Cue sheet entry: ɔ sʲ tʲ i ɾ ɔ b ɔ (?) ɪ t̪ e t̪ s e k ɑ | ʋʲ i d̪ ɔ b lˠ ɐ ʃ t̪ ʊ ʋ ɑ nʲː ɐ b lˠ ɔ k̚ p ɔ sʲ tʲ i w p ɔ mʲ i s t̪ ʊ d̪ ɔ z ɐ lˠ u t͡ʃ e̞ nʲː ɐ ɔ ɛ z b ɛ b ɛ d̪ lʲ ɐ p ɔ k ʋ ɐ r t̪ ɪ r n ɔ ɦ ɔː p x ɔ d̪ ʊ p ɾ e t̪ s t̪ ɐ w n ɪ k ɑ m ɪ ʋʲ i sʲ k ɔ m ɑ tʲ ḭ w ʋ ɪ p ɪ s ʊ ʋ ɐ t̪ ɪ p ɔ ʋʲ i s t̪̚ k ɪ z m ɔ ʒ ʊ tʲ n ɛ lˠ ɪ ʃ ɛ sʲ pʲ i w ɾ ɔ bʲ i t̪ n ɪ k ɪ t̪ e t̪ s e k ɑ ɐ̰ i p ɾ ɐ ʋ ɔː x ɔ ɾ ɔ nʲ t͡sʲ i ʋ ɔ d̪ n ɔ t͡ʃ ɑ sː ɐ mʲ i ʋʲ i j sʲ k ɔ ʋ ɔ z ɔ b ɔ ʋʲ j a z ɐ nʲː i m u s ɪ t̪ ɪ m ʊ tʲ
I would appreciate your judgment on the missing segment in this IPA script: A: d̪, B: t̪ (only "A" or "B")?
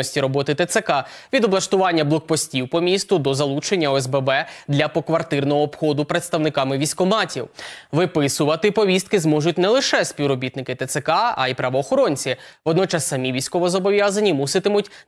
B